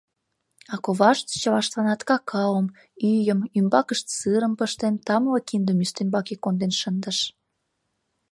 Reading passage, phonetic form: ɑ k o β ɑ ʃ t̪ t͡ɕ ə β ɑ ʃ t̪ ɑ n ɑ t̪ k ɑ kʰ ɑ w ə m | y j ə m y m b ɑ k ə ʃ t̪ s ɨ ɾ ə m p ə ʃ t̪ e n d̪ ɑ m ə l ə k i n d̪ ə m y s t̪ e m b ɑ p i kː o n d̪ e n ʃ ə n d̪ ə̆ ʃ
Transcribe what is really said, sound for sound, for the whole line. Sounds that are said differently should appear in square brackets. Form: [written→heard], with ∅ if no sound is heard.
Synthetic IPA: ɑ k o β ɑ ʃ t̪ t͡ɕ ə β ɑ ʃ t̪ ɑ n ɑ t̪ k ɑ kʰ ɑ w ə m | y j ə m y m b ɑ k ə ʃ t̪ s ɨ ɾ ə m p ə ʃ t̪ e n [d̪→t̪] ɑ m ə l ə k i n d̪ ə m y s t̪ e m b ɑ [p→k] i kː o n d̪ e n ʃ ə n d̪ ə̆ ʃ